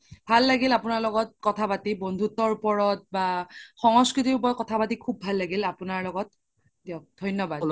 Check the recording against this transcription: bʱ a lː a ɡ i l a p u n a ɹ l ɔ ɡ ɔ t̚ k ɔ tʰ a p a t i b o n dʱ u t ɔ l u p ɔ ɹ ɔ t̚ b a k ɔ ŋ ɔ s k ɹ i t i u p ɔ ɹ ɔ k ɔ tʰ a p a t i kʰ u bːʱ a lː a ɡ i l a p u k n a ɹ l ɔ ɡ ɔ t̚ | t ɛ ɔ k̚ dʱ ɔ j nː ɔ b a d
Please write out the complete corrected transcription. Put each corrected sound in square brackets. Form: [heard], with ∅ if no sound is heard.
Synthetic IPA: bʱ a lː a ɡ i l a p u n a ɹ l ɔ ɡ ɔ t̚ k ɔ tʰ a p a t i b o n dʱ u t ɔ [ɹ] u p ɔ ɹ ɔ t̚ b a [x] ɔ ŋ ɔ s k ɹ i t i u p ɔ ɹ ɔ k ɔ tʰ a p a t i kʰ u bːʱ a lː a ɡ i l a p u [∅] n a ɹ l ɔ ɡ ɔ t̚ | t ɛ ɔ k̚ dʱ ɔ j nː ɔ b a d